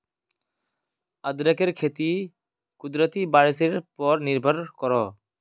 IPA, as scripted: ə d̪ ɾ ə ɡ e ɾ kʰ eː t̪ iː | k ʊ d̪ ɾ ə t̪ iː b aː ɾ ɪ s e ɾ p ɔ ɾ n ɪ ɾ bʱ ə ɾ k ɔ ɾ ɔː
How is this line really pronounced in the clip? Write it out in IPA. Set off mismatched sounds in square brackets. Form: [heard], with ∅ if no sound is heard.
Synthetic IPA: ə d̪ ɾ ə [k] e ɾ kʰ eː t̪ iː | k ʊ d̪ ɾ ə t̪ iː b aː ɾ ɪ s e ɾ p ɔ ɾ n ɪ ɾ bʱ ə ɾ k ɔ ɾ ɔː